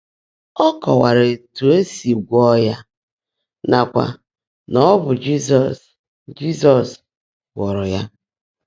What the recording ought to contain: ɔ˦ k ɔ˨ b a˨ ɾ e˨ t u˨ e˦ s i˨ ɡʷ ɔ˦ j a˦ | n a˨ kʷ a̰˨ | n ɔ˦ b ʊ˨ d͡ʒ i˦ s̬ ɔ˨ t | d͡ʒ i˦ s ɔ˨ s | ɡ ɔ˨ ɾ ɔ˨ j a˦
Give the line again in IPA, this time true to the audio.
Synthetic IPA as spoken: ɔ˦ k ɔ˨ w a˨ ɾ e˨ t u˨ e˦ s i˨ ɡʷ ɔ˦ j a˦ | n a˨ kʷ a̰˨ | n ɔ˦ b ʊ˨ d͡ʒ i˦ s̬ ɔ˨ s | d͡ʒ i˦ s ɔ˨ s | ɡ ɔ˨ ɾ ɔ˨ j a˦